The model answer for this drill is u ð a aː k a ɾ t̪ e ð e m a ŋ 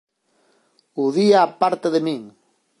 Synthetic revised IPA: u ð i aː p a ɾ t̪ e ð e m i ŋ